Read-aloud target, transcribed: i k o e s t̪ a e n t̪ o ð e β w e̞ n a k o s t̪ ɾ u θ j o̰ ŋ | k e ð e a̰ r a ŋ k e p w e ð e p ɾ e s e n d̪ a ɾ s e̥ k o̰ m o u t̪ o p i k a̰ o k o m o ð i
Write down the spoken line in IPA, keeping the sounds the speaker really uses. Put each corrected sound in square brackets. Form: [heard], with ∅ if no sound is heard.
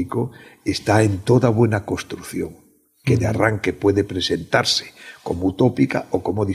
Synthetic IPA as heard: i k o e s t̪ a e n t̪ o ð [a] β w e̞ n a k o s t̪ ɾ u θ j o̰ ŋ | k e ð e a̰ r a ŋ k e p w e ð e p ɾ e s e n [t̪] a ɾ s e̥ k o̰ m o u t̪ o p i k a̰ o k o m o ð i